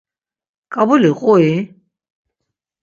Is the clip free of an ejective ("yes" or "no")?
no